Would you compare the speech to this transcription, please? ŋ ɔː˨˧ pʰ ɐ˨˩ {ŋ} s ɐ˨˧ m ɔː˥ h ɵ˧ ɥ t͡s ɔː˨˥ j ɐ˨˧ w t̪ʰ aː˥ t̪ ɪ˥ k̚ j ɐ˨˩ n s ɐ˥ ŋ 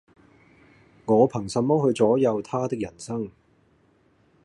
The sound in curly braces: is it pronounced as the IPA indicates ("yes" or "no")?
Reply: yes